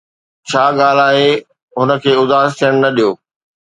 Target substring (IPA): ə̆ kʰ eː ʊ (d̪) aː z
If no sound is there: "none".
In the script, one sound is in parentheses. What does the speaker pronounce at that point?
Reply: d̪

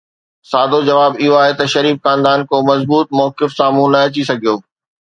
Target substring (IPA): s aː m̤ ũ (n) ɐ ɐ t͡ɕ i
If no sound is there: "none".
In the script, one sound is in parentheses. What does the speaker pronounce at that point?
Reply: n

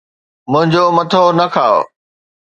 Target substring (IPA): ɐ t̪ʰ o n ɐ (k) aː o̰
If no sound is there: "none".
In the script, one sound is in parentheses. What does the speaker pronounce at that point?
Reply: kʰ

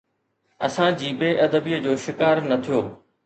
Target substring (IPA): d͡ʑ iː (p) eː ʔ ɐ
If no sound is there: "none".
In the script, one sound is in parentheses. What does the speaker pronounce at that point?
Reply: b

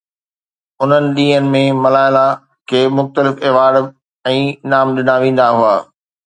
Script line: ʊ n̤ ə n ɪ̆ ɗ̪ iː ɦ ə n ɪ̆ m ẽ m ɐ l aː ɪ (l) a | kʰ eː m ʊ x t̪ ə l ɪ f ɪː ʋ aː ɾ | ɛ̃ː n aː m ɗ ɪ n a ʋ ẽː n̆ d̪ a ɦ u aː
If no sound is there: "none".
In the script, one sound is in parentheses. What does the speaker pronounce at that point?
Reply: l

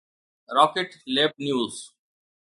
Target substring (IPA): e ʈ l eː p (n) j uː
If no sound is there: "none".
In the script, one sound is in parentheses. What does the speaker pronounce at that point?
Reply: n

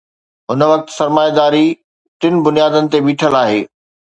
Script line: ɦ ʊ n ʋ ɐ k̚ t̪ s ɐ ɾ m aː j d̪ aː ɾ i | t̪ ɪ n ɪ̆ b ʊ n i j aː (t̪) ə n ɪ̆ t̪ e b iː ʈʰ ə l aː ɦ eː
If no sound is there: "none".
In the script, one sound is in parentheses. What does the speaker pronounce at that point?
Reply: d̪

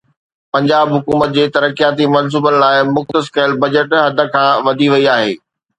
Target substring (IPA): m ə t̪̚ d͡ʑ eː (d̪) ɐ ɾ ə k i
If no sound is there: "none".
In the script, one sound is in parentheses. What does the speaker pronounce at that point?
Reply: t̪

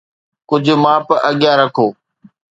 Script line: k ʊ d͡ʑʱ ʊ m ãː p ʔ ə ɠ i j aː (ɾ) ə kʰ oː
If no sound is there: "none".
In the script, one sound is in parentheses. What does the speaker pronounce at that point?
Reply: ɾ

